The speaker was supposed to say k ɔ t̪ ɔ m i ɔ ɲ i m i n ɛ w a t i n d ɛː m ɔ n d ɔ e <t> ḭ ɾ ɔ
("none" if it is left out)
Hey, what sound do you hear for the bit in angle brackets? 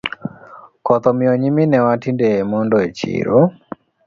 t͡ʃ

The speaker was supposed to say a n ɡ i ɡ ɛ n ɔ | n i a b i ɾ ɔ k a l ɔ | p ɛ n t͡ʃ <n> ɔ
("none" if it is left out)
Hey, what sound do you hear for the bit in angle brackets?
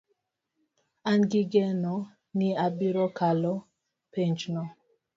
n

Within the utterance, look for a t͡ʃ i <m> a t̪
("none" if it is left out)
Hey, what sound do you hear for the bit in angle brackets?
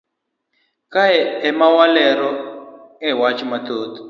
m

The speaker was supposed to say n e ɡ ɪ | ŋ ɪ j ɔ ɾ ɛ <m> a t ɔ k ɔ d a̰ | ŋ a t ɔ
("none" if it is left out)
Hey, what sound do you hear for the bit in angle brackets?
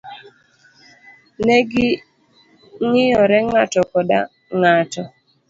ŋ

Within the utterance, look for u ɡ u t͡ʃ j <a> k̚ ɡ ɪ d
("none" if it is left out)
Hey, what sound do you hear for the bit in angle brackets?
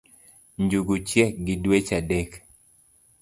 ɛ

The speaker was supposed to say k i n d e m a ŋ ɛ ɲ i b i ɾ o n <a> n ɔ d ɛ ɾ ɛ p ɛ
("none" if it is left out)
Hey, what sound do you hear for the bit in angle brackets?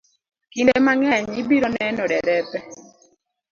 ɛ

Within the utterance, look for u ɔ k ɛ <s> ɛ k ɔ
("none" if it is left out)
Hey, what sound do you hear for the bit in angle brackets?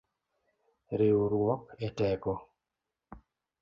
t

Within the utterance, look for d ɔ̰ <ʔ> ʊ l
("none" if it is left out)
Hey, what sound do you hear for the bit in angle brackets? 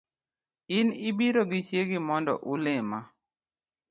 ʔ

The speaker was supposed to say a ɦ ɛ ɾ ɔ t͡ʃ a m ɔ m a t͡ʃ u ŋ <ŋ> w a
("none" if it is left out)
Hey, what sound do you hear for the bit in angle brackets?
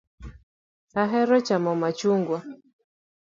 ɡ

